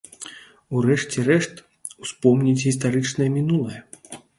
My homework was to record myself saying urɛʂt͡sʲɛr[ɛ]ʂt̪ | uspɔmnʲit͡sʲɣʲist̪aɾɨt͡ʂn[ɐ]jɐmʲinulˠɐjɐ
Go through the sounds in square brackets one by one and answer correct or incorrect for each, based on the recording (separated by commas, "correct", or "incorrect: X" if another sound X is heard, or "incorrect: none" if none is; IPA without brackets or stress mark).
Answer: correct, correct